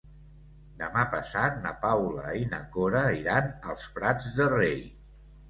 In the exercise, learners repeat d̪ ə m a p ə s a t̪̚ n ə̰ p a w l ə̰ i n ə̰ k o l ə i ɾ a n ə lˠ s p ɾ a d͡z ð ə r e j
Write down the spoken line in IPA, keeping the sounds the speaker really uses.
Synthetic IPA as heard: d̪ ə m a p ə s a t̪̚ n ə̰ p a w l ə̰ i n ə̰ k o ɾ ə i ɾ a n ə lˠ s p ɾ a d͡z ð ə r e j